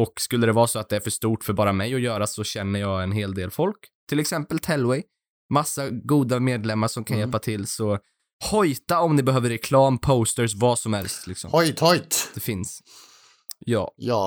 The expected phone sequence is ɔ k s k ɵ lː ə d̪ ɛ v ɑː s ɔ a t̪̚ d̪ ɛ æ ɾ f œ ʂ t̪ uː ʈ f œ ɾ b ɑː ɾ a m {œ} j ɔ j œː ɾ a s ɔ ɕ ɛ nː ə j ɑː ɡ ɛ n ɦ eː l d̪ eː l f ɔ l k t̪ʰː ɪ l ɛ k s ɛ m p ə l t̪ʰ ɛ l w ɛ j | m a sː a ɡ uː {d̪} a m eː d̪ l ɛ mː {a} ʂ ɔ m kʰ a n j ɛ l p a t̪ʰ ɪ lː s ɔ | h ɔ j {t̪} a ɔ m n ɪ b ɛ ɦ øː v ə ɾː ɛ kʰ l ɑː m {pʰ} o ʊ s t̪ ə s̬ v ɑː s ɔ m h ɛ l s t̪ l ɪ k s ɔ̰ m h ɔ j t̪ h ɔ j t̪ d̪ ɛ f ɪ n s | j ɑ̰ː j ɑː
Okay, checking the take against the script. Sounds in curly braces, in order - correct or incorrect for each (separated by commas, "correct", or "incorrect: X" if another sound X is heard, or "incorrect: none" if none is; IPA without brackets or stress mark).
incorrect: ɛ, correct, correct, correct, correct